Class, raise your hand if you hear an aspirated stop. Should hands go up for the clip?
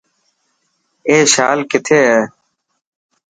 yes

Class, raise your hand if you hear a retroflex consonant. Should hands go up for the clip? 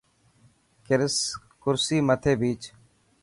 no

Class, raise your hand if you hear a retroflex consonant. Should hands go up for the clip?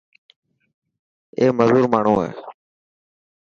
yes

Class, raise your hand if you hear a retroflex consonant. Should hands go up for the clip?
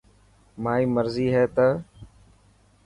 no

